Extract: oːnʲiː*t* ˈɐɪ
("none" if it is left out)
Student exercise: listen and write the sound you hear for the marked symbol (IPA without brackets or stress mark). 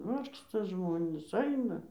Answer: s